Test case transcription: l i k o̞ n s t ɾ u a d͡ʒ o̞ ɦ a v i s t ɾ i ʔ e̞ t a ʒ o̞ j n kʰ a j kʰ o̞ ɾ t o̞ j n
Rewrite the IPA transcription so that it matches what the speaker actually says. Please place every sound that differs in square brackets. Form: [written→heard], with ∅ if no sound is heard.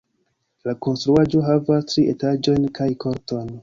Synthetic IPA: l [i→a] k o̞ n s t ɾ u a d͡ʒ o̞ ɦ a v [i→a] s t ɾ i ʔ e̞ t a [ʒ→d͡ʒ] o̞ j n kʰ a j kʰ o̞ ɾ t o̞ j n